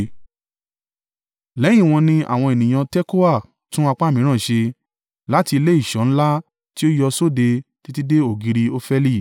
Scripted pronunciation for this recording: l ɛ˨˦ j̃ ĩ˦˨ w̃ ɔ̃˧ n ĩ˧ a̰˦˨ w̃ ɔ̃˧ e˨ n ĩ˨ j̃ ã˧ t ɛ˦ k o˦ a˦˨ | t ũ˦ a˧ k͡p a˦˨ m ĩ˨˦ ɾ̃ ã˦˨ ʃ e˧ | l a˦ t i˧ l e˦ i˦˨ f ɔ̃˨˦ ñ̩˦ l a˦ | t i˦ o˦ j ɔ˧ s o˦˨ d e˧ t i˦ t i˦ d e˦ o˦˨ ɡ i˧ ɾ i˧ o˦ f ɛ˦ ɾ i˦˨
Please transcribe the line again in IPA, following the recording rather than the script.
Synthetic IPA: l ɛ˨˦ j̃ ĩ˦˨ w̃ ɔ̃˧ n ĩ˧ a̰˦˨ w̃ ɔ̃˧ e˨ n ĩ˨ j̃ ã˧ t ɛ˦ k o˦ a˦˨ | t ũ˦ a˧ k͡p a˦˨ m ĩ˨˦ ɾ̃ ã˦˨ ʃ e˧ | l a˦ t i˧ l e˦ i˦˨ ʃ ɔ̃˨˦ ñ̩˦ l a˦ | t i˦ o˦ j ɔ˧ s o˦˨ d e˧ t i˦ t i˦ d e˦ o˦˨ ɡ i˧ ɾ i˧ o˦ f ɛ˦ l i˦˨